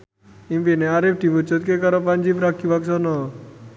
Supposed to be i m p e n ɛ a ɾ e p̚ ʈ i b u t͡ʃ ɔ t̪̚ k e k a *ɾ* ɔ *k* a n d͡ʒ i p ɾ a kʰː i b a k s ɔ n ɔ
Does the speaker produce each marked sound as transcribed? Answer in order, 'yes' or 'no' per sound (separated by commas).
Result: yes, no